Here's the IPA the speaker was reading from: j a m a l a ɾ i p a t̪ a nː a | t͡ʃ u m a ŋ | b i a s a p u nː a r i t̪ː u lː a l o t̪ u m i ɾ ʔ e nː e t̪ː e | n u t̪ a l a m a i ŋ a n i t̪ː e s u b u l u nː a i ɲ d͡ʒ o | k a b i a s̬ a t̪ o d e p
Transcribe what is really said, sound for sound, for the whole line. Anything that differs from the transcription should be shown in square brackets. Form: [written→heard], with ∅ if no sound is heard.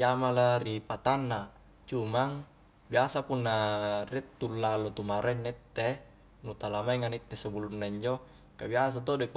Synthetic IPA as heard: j a m a l a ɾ i p a t̪ a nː a | t͡ʃ u m a ŋ | b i a s a p u nː a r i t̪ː u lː a l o t̪ u m [i→a] ɾ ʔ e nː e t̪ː e | n u t̪ a l a m a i ŋ a n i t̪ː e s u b u l u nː a i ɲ d͡ʒ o | k a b i a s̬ a t̪ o d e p